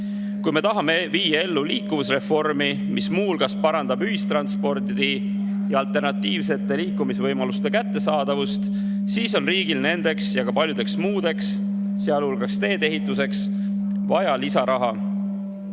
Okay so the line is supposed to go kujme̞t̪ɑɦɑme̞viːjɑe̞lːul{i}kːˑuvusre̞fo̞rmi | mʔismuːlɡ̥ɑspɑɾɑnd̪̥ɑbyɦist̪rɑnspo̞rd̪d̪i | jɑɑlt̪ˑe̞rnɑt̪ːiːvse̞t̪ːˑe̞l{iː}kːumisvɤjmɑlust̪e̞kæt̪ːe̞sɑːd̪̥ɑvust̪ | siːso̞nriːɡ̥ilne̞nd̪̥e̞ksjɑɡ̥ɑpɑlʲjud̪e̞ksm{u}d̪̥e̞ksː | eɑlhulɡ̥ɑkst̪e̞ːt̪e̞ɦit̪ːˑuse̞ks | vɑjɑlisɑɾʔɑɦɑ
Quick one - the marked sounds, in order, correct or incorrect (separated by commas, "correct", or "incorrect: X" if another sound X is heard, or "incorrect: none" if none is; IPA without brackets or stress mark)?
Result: incorrect: iː, correct, incorrect: uː